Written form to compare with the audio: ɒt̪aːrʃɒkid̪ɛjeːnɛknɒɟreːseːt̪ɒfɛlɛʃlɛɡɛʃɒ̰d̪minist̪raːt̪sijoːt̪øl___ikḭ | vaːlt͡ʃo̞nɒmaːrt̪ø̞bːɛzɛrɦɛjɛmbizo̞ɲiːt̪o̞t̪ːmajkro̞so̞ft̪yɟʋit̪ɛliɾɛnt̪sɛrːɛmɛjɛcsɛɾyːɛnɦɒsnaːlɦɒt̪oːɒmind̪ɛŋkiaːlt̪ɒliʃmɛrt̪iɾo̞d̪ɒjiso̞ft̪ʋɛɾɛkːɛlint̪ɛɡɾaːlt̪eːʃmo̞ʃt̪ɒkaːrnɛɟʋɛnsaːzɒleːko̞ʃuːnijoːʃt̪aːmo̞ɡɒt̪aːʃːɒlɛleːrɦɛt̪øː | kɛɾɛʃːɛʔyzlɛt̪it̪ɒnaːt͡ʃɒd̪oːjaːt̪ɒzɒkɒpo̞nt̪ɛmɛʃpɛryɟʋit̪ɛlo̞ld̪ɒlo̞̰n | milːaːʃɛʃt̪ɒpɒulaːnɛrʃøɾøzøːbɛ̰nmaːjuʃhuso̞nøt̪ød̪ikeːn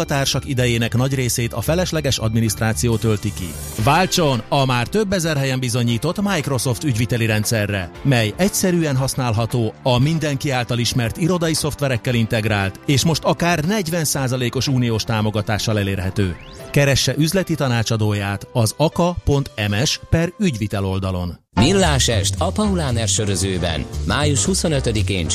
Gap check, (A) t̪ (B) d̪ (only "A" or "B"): A